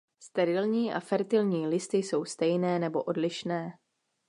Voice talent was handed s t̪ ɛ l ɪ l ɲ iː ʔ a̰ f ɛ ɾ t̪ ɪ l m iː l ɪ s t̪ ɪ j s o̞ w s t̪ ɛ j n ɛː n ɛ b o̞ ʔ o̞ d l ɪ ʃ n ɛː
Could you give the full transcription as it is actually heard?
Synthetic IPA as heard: s t̪ ɛ ɾ ɪ l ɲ iː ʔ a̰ f ɛ ɾ t̪ ɪ l ɲ iː l ɪ s t̪ ɪ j s o̞ w s t̪ ɛ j n ɛː n ɛ b o̞ ʔ o̞ d l ɪ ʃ n ɛː